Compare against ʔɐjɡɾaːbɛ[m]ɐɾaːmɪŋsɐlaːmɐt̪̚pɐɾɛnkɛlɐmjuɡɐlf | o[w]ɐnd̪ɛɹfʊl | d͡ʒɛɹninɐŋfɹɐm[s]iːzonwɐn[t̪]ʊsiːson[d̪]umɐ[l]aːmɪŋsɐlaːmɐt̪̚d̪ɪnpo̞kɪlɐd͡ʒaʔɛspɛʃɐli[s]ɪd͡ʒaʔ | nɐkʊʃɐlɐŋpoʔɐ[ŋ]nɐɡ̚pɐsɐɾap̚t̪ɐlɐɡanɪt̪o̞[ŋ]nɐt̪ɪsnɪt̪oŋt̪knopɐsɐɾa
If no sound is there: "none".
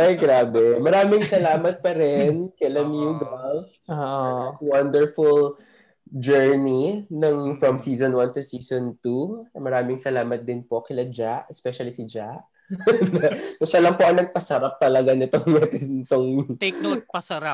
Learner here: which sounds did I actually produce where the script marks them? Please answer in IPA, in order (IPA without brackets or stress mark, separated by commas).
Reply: m, w, s, t̪, t̪, ɾ, s, ŋ, ŋ